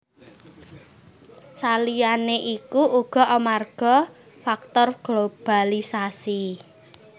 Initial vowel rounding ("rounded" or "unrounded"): unrounded